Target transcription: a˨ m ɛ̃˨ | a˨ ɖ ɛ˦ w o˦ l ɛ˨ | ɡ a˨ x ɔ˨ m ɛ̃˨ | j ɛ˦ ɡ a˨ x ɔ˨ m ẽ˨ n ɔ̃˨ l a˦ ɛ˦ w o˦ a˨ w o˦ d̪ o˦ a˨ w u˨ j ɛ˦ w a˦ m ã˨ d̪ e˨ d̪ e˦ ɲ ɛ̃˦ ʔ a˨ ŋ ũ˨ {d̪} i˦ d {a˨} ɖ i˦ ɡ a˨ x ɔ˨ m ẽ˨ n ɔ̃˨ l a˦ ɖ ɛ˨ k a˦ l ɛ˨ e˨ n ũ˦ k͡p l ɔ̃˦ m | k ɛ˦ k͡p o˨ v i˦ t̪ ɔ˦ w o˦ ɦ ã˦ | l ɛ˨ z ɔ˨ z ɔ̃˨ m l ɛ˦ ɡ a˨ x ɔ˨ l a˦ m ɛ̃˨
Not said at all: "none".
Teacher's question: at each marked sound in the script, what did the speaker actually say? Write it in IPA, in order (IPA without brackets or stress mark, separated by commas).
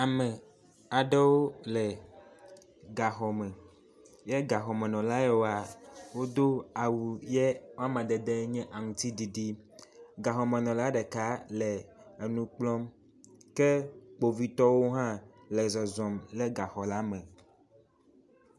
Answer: t̪, i˨